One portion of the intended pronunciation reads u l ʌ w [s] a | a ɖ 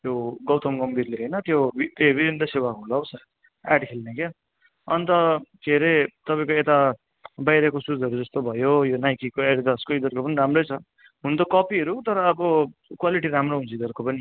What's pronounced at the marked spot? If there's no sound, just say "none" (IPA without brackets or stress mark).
s